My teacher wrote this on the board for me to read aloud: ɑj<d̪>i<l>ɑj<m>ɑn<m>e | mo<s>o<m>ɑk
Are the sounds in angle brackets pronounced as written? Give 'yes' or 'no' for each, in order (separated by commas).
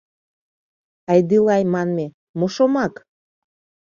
yes, yes, yes, yes, no, yes